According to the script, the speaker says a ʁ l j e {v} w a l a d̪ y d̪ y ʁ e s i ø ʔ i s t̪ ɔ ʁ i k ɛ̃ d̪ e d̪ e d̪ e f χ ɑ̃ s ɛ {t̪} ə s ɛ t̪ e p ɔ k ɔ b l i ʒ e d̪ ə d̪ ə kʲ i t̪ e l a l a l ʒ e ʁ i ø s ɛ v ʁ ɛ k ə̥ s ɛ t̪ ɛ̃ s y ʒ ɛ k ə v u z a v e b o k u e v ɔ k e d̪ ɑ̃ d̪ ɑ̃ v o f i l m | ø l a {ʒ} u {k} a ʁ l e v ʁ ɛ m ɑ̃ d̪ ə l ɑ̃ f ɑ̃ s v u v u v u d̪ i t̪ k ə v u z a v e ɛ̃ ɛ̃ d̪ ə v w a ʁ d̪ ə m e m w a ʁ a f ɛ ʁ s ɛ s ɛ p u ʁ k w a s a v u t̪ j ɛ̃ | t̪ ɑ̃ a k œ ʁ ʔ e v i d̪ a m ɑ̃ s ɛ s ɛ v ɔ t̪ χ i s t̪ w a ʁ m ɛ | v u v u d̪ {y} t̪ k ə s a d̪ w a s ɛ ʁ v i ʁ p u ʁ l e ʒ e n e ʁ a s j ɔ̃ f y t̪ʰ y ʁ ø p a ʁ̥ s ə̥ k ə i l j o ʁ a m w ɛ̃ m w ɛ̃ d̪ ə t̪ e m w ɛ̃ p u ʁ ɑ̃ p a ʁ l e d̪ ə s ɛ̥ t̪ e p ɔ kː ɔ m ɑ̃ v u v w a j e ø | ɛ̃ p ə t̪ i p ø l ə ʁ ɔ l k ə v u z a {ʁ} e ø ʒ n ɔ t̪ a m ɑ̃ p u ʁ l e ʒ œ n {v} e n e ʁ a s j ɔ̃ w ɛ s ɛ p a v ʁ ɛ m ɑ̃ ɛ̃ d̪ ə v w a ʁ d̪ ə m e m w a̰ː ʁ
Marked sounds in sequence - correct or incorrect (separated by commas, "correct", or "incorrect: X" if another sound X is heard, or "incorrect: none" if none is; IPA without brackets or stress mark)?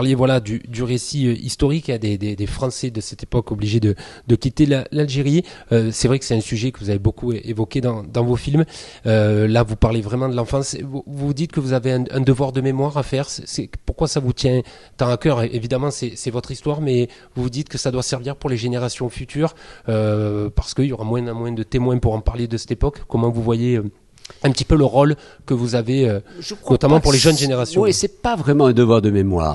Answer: correct, incorrect: d̪, incorrect: v, incorrect: p, incorrect: i, incorrect: v, incorrect: ʒ